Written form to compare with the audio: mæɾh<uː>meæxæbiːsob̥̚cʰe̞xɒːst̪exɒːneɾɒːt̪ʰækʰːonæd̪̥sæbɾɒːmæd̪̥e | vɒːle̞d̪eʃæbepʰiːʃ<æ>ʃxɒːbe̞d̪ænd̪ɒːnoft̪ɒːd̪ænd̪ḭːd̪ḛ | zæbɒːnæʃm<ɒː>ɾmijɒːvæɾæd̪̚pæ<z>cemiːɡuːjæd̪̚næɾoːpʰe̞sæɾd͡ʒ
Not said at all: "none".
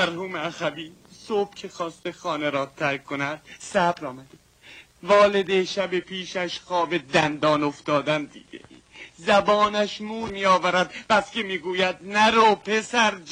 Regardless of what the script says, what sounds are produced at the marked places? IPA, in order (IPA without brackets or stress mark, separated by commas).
uː, æ, uː, s